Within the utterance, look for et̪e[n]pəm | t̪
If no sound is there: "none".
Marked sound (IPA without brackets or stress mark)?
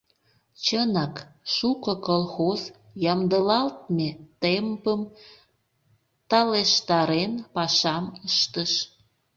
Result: m